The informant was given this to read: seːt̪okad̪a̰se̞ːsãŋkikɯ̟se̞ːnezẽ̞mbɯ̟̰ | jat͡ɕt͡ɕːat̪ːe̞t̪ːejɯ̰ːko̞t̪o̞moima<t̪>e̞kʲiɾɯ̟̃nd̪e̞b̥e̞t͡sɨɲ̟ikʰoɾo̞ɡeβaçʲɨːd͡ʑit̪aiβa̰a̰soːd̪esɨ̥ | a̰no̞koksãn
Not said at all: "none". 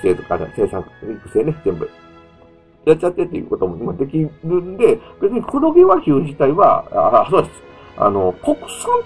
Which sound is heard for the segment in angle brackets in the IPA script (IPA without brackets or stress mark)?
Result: d̪